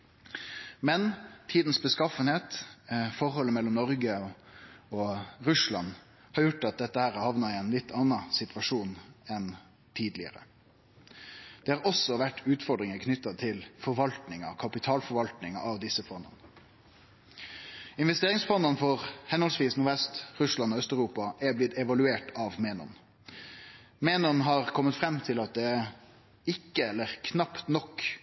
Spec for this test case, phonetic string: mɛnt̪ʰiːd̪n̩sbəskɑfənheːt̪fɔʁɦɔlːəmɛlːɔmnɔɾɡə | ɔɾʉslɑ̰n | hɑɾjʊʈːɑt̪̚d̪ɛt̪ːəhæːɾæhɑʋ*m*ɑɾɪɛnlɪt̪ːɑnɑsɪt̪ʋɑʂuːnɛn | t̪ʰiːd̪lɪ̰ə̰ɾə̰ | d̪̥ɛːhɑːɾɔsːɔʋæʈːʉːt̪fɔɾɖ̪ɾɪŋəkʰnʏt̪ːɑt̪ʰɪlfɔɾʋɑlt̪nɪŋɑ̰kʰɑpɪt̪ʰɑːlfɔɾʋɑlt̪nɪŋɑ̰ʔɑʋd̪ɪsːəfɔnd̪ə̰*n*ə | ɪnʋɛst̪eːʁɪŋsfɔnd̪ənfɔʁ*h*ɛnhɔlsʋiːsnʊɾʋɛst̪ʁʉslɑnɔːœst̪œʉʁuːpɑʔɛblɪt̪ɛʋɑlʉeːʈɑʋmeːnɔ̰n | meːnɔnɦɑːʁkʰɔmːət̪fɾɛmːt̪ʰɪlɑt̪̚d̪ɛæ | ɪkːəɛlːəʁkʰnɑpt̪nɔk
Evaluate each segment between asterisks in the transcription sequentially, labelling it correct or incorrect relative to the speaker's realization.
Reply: incorrect, correct, correct

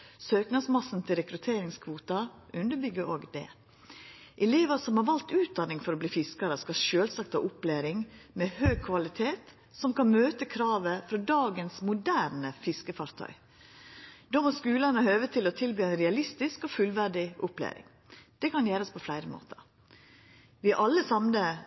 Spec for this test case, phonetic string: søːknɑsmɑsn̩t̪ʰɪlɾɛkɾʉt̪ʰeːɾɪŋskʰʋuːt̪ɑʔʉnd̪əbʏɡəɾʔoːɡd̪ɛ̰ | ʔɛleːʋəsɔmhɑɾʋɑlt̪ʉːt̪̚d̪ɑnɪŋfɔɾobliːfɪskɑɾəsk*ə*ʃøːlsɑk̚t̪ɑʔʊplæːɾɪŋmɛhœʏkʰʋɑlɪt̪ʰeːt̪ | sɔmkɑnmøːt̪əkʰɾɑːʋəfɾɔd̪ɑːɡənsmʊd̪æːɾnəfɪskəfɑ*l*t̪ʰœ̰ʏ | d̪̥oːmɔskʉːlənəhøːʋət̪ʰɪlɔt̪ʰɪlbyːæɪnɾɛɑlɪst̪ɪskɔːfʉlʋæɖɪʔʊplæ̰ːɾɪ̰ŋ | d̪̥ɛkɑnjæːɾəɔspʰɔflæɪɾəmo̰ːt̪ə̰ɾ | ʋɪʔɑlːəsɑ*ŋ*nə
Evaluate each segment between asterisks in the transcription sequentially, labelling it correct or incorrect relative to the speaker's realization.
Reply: incorrect, incorrect, incorrect

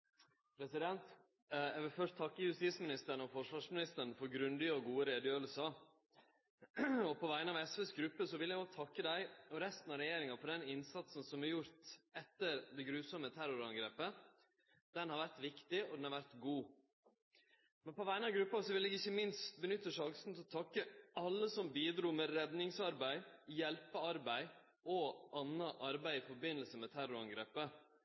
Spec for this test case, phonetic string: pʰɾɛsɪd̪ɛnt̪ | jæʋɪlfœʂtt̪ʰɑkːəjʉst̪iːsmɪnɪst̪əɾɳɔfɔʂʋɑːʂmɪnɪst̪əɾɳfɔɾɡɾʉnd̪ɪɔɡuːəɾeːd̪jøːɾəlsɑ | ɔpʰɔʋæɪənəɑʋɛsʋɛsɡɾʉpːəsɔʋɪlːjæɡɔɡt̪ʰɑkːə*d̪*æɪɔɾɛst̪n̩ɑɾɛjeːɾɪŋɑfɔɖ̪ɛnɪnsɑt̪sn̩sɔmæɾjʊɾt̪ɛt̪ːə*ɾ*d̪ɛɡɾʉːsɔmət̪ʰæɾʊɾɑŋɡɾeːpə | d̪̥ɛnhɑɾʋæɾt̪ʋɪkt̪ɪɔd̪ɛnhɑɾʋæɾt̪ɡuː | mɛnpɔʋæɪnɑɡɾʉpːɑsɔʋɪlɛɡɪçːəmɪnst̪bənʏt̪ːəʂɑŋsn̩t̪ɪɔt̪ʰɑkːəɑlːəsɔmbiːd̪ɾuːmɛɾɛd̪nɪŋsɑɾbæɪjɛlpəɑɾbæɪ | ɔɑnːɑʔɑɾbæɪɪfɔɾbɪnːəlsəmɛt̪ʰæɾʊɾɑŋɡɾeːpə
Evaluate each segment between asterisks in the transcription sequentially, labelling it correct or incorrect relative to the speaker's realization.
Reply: correct, correct

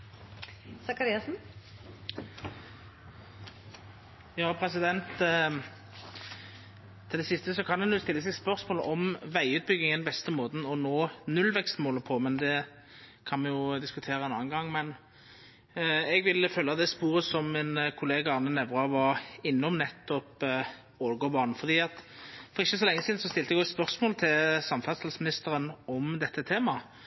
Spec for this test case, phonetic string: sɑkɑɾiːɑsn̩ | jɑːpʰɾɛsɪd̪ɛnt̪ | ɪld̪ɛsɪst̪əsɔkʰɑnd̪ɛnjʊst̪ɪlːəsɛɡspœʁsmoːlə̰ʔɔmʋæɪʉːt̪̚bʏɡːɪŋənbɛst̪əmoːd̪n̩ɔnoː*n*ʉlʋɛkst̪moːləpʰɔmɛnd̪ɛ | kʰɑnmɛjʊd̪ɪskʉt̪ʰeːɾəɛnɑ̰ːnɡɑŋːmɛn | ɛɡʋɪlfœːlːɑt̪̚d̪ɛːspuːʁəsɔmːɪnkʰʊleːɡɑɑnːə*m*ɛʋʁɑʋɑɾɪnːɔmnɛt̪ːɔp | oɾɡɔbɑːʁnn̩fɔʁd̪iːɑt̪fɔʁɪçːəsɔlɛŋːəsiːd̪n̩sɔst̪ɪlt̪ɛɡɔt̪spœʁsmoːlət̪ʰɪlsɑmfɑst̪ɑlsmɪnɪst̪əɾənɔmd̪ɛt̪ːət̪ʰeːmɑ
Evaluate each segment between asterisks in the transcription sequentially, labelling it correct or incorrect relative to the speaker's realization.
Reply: correct, incorrect

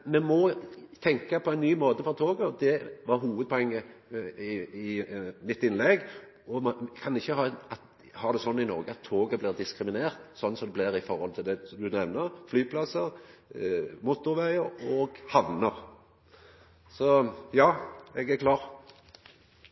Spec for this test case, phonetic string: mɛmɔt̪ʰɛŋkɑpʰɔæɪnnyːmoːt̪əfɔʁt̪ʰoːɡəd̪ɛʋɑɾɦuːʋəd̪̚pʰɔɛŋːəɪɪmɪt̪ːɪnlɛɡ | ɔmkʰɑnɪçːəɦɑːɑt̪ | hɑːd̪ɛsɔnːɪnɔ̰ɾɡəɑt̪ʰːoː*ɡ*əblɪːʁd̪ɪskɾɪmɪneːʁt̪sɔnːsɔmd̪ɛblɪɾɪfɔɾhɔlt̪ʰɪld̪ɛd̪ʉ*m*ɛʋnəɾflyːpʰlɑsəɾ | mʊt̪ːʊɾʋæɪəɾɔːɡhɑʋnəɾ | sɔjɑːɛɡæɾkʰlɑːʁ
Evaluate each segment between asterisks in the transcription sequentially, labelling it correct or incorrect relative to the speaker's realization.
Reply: correct, incorrect

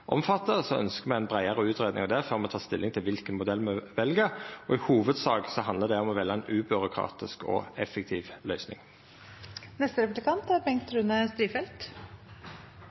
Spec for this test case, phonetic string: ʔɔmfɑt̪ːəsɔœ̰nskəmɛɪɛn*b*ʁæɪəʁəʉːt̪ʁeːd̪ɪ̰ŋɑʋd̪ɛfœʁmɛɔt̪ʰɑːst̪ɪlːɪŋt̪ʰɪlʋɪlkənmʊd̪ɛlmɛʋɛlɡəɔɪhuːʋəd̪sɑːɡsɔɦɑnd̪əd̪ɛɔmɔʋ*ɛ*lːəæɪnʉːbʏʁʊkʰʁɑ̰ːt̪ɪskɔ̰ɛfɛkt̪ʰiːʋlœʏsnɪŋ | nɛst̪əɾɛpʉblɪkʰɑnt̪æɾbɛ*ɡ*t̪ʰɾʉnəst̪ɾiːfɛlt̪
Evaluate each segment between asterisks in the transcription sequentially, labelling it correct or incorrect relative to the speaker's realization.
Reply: correct, correct, incorrect

